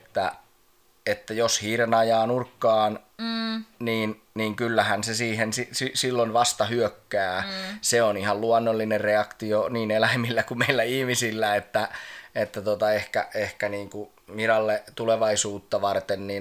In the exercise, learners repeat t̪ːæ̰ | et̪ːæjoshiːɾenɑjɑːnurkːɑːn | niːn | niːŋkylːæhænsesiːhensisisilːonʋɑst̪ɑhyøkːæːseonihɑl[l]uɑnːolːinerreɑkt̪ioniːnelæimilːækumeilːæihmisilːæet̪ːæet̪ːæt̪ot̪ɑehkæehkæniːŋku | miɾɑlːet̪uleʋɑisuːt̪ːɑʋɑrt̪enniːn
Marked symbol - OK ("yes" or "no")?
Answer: yes